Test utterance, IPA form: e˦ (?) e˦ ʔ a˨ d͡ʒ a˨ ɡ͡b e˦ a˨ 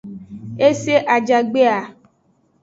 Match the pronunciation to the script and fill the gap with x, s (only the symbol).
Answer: s